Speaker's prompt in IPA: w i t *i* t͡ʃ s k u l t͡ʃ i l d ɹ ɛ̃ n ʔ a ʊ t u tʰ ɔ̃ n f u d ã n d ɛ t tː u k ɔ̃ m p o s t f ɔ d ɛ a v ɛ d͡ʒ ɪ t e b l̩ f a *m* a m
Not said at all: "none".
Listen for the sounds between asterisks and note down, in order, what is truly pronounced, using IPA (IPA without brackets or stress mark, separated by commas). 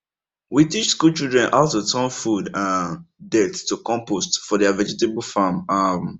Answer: i, m